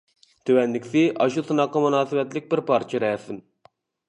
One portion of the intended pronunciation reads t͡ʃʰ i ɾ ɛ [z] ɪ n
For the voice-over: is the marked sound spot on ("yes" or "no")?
no